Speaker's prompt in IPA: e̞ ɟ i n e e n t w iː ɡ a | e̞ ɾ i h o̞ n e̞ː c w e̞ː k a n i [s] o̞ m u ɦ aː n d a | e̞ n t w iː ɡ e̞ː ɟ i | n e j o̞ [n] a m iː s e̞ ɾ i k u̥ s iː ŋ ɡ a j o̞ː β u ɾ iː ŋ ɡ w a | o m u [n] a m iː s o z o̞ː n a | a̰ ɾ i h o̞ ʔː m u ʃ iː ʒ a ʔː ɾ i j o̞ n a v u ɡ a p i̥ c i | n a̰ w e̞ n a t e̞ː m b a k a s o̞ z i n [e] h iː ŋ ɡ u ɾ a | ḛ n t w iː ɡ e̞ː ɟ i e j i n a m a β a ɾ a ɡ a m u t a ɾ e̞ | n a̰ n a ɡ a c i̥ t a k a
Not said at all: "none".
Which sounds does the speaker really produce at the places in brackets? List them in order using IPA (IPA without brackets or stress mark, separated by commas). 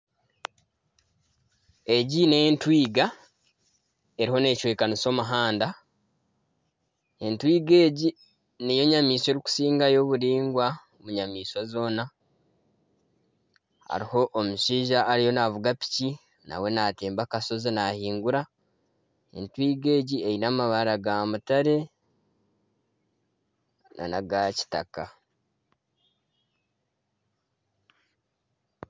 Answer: s, ɲ, ɲ, a